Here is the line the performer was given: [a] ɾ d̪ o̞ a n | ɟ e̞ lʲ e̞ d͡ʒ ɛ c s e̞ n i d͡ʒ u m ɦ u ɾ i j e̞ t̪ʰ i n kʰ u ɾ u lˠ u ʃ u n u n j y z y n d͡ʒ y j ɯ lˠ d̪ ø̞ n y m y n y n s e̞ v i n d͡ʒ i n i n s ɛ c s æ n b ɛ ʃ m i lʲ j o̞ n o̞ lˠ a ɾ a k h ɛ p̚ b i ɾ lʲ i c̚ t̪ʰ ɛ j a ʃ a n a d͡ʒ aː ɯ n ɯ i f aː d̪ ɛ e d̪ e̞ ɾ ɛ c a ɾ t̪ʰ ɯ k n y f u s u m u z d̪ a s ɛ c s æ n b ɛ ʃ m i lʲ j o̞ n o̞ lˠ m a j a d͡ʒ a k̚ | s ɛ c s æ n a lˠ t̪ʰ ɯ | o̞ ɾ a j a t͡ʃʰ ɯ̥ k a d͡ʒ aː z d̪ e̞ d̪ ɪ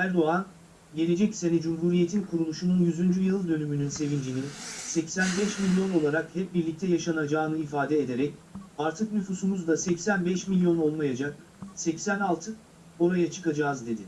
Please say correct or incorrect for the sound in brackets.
incorrect